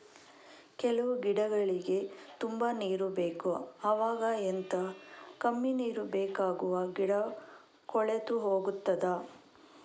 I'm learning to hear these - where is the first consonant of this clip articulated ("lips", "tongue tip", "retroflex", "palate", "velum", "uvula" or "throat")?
velum